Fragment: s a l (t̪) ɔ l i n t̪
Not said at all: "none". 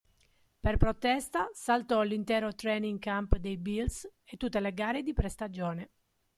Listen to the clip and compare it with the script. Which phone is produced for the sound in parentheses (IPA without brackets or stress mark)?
t̪